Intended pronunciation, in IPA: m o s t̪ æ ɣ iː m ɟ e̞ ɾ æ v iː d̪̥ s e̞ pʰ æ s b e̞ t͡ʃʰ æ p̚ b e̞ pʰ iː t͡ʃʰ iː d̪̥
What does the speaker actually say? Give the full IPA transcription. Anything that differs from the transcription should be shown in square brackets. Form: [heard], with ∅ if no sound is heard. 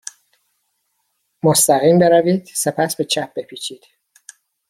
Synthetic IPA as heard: m o s t̪ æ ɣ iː m [b] e̞ ɾ æ v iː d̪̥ s e̞ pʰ æ s b e̞ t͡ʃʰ æ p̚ b e̞ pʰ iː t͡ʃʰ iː d̪̥